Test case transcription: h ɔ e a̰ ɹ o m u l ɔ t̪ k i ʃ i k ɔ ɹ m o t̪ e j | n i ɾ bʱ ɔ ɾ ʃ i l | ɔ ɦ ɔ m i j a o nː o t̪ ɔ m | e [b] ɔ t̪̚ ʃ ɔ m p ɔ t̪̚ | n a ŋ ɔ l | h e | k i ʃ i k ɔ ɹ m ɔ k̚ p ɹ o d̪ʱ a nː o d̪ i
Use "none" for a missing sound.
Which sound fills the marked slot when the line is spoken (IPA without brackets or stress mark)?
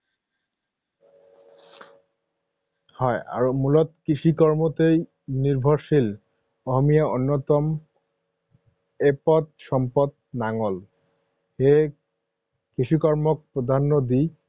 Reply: p